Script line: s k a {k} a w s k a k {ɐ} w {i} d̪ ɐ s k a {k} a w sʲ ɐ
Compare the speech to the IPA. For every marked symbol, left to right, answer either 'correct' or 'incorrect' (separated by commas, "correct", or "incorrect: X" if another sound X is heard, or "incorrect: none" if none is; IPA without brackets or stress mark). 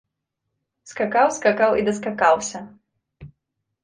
correct, incorrect: a, correct, correct